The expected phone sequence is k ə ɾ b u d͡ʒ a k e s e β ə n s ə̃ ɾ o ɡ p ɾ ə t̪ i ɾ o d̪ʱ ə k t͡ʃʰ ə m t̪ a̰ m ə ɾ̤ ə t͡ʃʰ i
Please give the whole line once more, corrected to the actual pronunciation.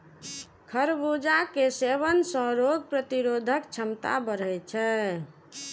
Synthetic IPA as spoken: kʰ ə ɾ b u d͡ʒ a k e s e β ə n s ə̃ ɾ o ɡ p ɾ ə t̪ i ɾ o d̪ʱ ə k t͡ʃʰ ə m t̪ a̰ b ə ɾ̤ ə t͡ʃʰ ɛ